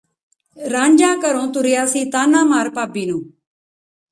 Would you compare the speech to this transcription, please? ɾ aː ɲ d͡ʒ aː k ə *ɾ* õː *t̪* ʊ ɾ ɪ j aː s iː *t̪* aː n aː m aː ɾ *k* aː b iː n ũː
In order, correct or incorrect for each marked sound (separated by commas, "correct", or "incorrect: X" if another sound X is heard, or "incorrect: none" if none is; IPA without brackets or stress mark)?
correct, correct, correct, incorrect: p